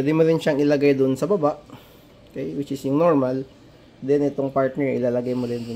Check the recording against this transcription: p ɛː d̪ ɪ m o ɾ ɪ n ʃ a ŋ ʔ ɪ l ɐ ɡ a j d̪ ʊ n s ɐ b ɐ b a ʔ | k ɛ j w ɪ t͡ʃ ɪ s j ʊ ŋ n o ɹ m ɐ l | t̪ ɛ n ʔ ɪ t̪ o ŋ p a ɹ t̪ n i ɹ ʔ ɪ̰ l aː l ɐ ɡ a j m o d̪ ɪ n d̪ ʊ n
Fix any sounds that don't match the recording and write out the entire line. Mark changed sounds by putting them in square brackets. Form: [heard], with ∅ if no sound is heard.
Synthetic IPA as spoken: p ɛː d̪ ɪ m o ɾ ɪ n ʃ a ŋ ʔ ɪ l ɐ ɡ a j d̪ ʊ n s ɐ b ɐ b a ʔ | k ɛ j w ɪ t͡ʃ ɪ s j ʊ ŋ n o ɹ m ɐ l | [d̪] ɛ n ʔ ɪ t̪ o ŋ p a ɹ t̪ n [ɛ] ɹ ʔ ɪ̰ l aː l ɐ ɡ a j m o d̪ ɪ n d̪ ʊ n